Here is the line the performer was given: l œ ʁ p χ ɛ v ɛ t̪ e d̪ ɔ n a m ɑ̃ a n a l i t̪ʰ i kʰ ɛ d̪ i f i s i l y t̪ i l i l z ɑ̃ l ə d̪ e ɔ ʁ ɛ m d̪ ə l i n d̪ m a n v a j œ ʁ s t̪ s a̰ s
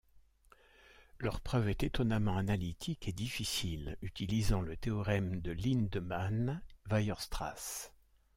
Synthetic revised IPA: l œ ʁ p χ œ v ɛ t̪ e t̪ ɔ n a m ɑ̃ a n a l i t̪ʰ i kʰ e d̪ i f i s i l y t̪ i l i z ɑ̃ l ə t̪ e ɔ ʁ ɛ m d̪ ə l i n d̪ m a n v a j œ ʁ s t̪ χ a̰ s